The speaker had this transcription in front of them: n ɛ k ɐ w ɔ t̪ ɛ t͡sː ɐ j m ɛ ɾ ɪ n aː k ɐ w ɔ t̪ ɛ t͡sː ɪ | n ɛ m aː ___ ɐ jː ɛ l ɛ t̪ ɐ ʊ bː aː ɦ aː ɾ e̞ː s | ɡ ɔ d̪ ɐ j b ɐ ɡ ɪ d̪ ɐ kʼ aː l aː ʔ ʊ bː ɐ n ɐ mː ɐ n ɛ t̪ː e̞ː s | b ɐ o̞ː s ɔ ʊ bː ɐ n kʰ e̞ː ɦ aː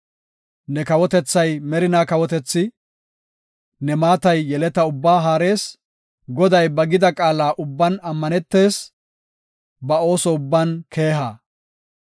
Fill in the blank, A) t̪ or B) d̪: A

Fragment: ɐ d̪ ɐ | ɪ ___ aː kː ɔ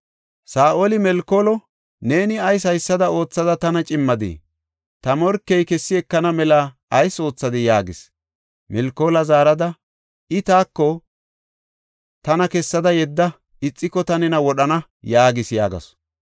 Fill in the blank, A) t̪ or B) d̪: A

